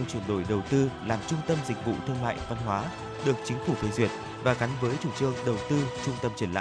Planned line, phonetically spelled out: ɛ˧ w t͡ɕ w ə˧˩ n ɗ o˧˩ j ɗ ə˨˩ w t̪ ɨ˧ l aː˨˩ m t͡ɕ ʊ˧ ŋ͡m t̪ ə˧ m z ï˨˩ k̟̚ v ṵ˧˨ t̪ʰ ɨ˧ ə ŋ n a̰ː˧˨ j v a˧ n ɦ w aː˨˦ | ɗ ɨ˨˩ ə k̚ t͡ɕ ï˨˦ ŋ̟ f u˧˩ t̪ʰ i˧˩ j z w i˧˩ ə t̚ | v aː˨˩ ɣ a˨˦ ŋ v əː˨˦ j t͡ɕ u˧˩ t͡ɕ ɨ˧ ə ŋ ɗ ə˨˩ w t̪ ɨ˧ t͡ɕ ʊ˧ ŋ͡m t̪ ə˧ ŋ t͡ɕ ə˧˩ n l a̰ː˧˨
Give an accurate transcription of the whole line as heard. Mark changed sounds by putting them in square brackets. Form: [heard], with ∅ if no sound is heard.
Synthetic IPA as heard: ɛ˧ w t͡ɕ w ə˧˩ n ɗ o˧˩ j ɗ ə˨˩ w t̪ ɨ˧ l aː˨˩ m t͡ɕ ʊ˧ ŋ͡m t̪ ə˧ m z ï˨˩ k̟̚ v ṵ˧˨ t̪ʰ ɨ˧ ə ŋ [m] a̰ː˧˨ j v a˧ n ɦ w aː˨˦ | ɗ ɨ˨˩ ə k̚ t͡ɕ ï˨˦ ŋ̟ f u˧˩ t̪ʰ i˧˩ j z w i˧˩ ə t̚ | v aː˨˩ ɣ a˨˦ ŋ v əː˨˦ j t͡ɕ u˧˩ t͡ɕ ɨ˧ ə ŋ ɗ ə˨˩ w t̪ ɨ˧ t͡ɕ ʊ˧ ŋ͡m t̪ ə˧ [m] t͡ɕ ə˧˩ n l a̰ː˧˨